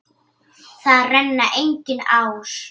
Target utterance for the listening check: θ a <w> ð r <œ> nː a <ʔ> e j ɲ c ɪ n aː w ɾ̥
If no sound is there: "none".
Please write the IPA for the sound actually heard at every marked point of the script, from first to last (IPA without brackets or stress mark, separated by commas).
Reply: none, ɛ, ʔ